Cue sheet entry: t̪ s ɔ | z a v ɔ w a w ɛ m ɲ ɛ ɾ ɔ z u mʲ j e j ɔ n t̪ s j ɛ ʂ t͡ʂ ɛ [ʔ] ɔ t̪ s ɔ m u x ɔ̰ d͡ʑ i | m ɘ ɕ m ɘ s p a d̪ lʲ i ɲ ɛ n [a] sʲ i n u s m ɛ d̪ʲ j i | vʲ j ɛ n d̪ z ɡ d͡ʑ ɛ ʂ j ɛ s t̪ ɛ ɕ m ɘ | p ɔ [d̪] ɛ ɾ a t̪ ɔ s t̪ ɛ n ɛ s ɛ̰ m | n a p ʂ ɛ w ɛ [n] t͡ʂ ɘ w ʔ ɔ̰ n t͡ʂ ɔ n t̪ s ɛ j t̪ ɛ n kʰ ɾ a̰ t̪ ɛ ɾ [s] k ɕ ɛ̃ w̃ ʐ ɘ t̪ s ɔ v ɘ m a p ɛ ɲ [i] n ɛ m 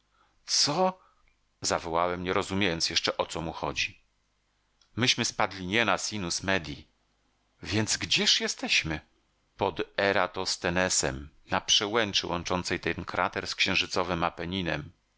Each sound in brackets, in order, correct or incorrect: correct, correct, correct, correct, correct, correct

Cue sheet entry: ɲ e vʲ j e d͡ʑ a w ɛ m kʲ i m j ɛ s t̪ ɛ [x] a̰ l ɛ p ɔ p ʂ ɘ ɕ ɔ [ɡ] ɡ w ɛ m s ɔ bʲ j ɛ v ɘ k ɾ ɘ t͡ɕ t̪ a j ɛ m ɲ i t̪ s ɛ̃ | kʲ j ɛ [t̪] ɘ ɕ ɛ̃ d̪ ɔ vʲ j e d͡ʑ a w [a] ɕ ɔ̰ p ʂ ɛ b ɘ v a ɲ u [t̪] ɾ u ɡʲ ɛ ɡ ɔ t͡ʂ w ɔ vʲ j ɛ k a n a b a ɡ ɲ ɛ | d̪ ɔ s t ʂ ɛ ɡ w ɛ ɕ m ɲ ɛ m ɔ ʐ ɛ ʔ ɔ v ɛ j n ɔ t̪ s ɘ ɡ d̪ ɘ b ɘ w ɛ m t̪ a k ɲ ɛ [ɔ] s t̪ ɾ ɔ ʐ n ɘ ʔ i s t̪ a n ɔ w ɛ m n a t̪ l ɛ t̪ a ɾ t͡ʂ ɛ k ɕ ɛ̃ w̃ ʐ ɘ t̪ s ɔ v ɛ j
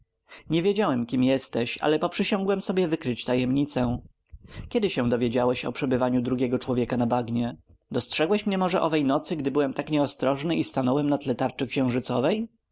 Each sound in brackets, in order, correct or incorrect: incorrect: ɕ, incorrect: ŋ, incorrect: d̪, incorrect: ɛ, incorrect: d̪, correct

